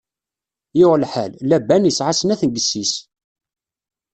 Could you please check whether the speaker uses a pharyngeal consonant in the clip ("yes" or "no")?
yes